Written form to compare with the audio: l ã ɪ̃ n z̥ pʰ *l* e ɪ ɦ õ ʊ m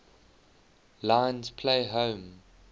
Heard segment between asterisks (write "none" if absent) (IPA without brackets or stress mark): l